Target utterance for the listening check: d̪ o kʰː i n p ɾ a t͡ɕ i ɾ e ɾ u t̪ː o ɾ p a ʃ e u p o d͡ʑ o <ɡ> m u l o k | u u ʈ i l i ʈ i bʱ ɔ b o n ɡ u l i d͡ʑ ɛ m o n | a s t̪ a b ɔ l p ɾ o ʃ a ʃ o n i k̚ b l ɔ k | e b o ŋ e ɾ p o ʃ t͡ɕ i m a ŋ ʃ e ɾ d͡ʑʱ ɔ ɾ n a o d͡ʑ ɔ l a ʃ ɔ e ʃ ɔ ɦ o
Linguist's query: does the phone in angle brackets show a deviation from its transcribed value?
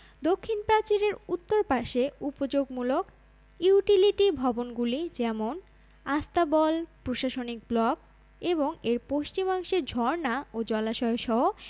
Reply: no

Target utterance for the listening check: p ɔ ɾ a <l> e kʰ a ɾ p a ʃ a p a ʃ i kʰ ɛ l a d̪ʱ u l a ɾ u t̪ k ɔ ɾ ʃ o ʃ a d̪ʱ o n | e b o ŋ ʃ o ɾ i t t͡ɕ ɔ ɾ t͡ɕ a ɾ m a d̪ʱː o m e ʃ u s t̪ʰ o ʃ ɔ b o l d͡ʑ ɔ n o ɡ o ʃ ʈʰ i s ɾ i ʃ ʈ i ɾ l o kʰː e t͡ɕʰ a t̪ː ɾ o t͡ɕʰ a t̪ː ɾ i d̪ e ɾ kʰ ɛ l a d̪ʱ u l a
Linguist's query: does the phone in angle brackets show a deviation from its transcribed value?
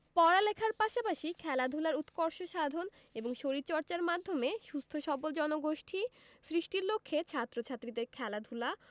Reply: no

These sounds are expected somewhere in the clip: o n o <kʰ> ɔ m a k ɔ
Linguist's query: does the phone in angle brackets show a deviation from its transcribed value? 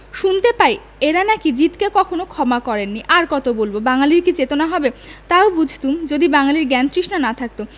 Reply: no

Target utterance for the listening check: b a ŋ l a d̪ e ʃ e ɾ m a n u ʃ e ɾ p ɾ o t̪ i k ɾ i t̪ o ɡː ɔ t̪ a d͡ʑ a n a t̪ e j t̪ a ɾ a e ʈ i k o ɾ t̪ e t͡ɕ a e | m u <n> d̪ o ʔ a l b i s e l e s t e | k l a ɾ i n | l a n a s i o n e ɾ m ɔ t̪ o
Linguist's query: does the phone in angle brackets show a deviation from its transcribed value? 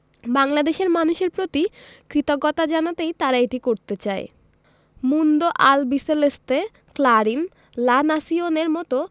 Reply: no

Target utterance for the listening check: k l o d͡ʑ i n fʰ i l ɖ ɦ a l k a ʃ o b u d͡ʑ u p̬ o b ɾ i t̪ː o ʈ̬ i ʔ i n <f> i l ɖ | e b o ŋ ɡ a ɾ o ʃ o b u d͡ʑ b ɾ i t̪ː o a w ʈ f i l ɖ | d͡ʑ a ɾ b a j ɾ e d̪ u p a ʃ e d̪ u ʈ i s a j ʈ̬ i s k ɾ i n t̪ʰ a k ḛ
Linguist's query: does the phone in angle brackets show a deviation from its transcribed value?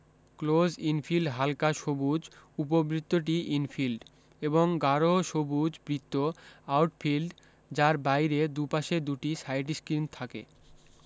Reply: no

